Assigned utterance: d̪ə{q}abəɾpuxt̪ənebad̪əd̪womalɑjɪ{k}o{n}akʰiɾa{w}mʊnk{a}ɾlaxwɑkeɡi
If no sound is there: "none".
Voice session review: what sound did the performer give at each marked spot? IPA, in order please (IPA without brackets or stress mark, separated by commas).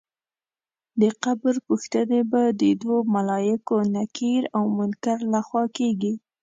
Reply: q, k, n, w, a